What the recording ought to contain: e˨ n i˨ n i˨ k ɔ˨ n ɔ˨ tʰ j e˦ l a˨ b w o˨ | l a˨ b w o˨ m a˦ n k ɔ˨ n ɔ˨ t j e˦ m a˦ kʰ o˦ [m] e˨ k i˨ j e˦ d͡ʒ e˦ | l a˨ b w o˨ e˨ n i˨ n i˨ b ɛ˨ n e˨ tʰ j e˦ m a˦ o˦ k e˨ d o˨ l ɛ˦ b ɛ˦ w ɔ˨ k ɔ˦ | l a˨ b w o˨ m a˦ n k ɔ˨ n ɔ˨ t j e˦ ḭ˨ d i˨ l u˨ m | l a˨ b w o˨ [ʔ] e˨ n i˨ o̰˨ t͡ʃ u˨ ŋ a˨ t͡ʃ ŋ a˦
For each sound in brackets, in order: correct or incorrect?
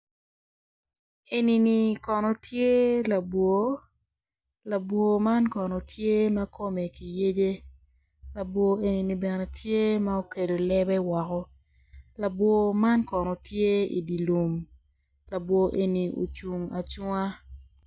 correct, correct

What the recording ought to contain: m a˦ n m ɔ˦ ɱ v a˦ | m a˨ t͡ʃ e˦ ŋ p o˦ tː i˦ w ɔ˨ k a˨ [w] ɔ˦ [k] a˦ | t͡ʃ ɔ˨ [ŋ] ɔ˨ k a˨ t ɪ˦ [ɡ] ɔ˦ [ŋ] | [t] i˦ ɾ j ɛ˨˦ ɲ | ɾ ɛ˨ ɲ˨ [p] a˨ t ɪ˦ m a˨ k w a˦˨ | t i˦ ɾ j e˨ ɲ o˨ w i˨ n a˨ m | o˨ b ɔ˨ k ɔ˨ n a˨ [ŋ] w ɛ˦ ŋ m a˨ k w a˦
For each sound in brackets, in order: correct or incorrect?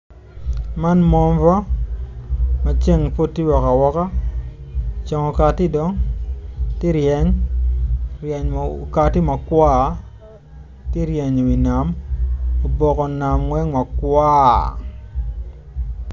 correct, correct, correct, incorrect: d, correct, correct, incorrect: k, incorrect: m

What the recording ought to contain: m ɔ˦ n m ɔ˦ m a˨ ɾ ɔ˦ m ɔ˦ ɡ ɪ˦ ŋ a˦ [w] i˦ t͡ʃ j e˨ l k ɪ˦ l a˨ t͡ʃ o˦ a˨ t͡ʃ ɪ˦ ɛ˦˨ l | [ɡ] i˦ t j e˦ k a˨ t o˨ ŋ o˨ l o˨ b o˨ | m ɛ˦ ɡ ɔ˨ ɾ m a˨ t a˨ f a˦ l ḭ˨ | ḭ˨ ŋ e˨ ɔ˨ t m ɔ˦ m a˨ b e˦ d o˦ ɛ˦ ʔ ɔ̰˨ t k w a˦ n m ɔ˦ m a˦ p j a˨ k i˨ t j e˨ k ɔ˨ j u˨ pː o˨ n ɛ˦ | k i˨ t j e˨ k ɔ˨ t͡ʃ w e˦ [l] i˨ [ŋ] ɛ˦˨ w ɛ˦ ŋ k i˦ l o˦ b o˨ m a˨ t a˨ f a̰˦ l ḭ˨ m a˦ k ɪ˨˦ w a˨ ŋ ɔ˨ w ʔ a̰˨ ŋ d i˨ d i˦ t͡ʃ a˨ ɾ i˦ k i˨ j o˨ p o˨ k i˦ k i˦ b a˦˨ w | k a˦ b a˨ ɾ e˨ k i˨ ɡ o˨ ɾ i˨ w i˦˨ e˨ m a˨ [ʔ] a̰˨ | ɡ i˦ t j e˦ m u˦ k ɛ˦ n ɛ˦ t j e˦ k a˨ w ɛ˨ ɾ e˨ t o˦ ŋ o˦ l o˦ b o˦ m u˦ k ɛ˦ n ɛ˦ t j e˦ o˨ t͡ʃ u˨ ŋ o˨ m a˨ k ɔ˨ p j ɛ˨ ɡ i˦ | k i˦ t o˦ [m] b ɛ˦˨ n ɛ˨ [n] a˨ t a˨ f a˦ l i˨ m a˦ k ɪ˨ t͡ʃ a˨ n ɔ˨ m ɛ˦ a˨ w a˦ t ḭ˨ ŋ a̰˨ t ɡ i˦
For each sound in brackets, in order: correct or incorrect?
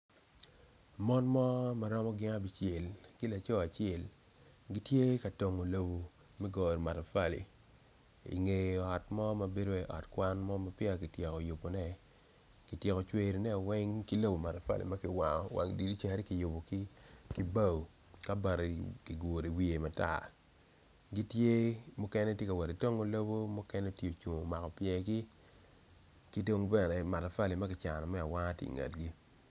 incorrect: b, correct, incorrect: ɾ, incorrect: n, incorrect: t, incorrect: ŋ, incorrect: m

